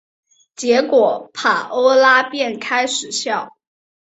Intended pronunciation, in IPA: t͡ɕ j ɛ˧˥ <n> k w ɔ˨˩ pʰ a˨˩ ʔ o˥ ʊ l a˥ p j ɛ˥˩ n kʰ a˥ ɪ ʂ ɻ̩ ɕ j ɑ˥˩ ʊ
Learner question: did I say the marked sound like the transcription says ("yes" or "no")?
no